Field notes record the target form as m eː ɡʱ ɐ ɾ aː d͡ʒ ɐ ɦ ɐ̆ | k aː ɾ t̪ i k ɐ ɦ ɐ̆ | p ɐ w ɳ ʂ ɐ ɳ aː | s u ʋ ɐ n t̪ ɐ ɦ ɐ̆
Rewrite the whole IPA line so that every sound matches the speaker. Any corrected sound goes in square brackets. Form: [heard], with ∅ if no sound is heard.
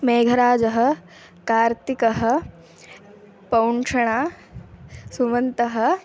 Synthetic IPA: m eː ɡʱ ɐ ɾ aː d͡ʒ ɐ ɦ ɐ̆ | k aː ɾ t̪ i k ɐ ɦ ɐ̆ | p ɐ w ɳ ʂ ɐ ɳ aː | s u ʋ ɐ n t̪ ɐ ɦ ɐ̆